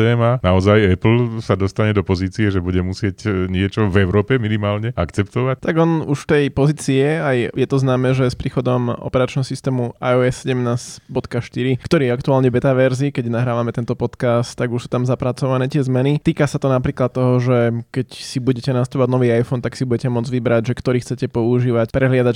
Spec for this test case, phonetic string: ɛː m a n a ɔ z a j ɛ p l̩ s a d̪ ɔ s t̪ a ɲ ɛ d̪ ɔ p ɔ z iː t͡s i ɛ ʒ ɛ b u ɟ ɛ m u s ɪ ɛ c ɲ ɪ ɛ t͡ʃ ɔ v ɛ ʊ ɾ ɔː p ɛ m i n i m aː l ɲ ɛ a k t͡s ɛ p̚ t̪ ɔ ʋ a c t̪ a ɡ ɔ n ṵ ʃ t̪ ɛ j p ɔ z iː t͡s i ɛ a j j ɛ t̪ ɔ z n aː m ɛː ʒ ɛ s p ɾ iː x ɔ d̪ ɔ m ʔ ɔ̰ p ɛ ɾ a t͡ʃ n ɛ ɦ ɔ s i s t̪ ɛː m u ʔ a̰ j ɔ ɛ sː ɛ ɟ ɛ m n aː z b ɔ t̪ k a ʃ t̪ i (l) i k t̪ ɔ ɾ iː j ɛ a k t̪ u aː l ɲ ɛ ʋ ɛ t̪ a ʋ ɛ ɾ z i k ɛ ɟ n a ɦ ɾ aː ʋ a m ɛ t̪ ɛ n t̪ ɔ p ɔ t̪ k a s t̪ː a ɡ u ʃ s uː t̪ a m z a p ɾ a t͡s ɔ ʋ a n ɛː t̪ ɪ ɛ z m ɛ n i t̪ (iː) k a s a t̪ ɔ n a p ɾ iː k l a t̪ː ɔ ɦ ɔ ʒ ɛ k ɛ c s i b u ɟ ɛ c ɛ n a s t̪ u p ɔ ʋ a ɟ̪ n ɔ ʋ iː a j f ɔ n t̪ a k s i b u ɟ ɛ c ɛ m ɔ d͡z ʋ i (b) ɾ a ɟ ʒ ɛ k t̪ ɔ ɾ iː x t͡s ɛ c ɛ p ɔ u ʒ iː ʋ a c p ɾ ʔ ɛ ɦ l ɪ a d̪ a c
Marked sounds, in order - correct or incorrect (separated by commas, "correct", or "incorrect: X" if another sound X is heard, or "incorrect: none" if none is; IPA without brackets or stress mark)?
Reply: incorrect: ɾ, correct, correct